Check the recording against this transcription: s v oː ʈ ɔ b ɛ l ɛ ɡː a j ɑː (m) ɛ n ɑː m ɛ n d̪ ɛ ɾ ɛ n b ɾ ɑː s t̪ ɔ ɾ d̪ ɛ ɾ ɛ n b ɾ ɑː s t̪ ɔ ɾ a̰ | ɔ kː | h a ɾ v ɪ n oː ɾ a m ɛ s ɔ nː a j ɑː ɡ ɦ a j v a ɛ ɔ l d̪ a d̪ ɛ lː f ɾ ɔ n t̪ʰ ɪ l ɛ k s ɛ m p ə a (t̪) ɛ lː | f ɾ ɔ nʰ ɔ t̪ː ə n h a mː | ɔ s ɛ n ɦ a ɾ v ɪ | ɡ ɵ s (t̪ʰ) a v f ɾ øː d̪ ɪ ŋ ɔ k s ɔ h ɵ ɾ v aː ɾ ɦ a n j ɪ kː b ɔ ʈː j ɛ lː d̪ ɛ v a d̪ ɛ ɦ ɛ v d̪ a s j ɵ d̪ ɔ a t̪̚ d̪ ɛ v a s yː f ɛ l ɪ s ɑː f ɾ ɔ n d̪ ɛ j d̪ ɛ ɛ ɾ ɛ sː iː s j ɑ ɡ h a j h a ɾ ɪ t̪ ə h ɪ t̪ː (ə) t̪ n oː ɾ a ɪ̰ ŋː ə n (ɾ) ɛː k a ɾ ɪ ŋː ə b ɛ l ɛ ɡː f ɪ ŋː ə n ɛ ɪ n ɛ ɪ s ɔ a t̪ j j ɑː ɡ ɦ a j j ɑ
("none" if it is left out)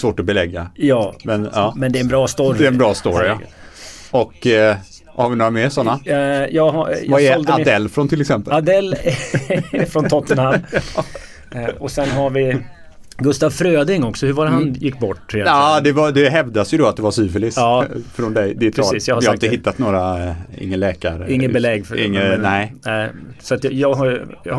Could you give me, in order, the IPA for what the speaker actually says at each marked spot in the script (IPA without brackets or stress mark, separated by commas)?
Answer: m, d̪, t̪, a, l